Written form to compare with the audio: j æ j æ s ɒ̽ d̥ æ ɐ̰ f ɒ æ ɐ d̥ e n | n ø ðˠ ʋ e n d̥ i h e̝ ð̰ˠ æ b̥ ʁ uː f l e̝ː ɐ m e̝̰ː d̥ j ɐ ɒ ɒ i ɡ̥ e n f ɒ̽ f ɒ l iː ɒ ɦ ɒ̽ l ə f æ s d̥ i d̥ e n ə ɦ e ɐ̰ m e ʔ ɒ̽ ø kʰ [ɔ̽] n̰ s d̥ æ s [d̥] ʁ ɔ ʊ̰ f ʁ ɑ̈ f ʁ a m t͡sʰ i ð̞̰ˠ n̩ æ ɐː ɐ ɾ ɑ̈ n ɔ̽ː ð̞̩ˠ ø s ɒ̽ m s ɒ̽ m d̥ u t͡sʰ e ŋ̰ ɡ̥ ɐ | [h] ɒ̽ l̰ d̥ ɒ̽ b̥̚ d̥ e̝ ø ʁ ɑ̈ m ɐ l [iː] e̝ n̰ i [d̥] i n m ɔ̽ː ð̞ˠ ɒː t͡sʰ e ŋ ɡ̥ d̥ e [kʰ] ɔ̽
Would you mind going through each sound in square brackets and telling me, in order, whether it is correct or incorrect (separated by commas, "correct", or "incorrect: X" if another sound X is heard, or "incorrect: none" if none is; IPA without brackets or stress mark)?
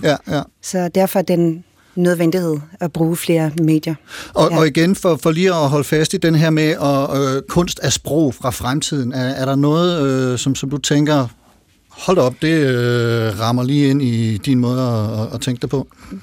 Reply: correct, incorrect: b̥, correct, correct, correct, incorrect: pʰ